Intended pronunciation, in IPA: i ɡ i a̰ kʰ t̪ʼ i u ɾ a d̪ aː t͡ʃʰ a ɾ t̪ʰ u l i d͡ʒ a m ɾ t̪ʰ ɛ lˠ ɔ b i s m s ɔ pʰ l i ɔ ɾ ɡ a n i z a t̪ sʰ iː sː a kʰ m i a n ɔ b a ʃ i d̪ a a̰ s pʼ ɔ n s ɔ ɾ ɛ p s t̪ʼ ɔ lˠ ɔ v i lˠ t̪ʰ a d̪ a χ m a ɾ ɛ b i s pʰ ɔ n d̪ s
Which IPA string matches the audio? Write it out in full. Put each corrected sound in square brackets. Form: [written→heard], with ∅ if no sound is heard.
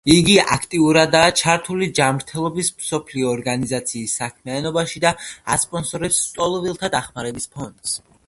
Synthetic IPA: i ɡ i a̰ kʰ t̪ʼ i u ɾ a d̪ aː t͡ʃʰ a ɾ t̪ʰ u l i d͡ʒ a m ɾ t̪ʰ ɛ lˠ ɔ b i s m s ɔ pʰ l i [ɔ→ɔː] ɾ ɡ a n i z a t̪ sʰ iː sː a kʰ m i a n ɔ b a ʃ i d̪ a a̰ s pʼ ɔ n s ɔ ɾ ɛ p s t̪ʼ ɔ lˠ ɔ v i lˠ t̪ʰ a d̪ a χ m a ɾ ɛ b i s pʰ ɔ n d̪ s